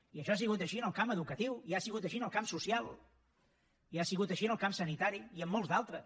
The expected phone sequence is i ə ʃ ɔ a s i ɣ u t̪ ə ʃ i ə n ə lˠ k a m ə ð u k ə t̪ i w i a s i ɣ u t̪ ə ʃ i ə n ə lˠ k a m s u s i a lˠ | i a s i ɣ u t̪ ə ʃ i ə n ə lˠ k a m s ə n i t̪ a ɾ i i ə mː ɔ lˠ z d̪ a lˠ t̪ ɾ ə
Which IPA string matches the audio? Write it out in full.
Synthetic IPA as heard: i ə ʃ ɔ a s i ɣ u t̪ ə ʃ i ə n ə lˠ k a m ə ð u k ə t̪ i w i a s i ɣ u t̪ ə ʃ i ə n ə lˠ k a m s u s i a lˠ | i a s i ɣ u t̪ ə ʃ i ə n ə lˠ k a m s ə n i t̪ a ɾ i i ə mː ɔ lˠ z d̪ a lˠ t̪ ɾ ə

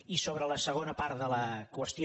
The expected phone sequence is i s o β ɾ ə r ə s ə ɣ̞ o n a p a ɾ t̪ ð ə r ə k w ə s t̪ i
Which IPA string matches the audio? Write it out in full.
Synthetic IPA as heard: i s o β ɾ ə l ə s ə ɣ̞ o n ə p a ɾ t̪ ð ə l ə k w ə s t̪ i

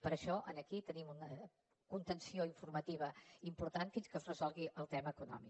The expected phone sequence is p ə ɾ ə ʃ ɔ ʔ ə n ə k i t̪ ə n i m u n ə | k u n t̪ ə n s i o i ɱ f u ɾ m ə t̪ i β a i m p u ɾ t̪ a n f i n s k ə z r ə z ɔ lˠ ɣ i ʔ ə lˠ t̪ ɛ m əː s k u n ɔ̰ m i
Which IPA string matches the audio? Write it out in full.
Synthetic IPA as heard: p ə ɾ ə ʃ ɔ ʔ ə n ə k i t̪ ə n i m u n ə | k u n t̪ ə n s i o i ɱ f u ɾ m ə t̪ i β ə i m p u ɾ t̪ a n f i n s k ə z r ə z ɔ lˠ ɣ i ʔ ə lˠ t̪ ɛ m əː k u n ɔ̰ m i

